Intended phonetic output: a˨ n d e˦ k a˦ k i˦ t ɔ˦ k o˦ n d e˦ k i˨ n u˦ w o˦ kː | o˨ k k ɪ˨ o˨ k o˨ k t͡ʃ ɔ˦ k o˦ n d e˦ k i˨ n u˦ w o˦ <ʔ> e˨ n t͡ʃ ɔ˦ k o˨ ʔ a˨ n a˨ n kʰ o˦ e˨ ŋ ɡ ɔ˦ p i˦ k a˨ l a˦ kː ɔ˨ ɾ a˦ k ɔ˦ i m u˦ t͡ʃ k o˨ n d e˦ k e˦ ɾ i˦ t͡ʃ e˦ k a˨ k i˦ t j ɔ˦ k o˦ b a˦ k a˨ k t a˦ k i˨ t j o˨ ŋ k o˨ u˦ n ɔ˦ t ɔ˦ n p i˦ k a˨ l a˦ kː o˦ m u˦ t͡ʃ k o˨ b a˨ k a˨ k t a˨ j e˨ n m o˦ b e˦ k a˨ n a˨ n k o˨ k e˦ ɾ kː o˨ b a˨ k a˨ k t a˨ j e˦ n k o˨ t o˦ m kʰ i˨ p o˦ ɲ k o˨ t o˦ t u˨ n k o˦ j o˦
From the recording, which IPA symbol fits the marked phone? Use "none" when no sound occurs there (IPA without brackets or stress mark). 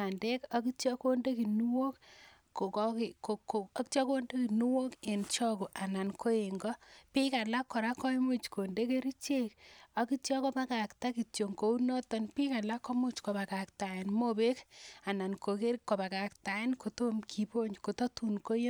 k